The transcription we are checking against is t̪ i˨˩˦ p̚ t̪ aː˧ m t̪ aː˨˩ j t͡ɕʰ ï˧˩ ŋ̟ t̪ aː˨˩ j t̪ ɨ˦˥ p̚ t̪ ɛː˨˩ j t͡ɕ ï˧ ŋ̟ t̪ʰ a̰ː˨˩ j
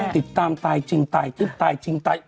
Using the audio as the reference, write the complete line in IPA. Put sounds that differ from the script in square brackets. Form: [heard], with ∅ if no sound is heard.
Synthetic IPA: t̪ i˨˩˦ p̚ t̪ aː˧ m t̪ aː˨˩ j [t͡ɕ] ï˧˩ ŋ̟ t̪ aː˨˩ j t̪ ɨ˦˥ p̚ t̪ [aː˨˩] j t͡ɕ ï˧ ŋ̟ [t̪] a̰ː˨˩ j